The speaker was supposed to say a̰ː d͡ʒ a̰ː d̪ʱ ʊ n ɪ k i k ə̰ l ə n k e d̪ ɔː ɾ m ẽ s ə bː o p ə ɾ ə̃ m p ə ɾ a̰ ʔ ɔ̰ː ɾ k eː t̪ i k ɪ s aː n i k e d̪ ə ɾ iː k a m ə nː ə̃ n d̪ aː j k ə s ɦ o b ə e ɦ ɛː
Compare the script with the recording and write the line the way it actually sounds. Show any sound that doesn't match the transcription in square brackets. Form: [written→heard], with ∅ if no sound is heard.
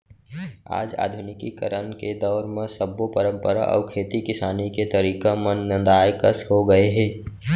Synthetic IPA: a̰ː d͡ʒ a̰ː d̪ʱ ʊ n ɪ k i k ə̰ [l→ɾ] ə n k e d̪ ɔː ɾ m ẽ s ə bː o p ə ɾ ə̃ m p ə ɾ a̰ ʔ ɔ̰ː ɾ [k→kʰ] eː t̪ i k ɪ s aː n i k e [d̪→t̪] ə ɾ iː k a m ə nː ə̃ n d̪ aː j k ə s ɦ o [b→ɡ] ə e ɦ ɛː